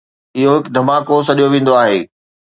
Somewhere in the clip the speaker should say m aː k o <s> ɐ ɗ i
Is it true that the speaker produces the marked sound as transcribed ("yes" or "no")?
yes